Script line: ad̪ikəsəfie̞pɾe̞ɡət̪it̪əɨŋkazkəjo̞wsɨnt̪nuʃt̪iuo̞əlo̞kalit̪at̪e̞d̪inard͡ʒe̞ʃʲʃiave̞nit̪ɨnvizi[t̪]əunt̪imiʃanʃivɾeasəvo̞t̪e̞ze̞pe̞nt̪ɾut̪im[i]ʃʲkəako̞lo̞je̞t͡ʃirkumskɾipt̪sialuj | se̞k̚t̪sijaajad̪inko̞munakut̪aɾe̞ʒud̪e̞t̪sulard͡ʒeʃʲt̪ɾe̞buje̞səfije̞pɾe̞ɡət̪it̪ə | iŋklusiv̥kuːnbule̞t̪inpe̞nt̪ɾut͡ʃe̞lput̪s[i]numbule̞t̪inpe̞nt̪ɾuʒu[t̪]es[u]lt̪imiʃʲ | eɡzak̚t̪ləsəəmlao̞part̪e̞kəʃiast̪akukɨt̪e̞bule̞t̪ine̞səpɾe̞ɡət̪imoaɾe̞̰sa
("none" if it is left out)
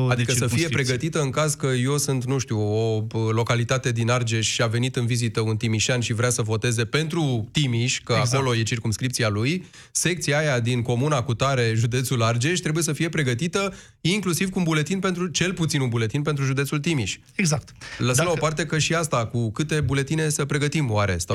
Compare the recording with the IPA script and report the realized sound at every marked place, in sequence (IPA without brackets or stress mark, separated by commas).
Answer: t̪, i, i, d̪, u